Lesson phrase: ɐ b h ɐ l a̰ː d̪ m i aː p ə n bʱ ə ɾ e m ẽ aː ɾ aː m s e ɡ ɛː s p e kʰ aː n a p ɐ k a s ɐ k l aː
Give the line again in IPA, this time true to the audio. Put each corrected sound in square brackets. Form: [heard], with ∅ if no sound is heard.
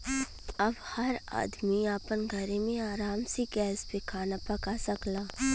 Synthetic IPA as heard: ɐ b h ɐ [ɾ] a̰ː d̪ m i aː p ə n [ɡʱ] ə ɾ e m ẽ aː ɾ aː m s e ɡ ɛː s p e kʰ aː n a p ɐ k a s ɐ k l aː